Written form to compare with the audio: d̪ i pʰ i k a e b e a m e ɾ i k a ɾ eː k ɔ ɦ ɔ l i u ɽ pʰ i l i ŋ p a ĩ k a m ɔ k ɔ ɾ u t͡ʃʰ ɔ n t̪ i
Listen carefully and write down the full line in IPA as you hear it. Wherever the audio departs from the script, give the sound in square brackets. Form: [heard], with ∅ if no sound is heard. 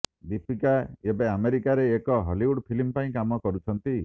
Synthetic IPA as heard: d̪ i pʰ i k a e b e a m e ɾ i k a ɾ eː k ɔ ɦ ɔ l i u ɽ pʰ i l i [m] p a ĩ k a m ɔ k ɔ ɾ u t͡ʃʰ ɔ n t̪ i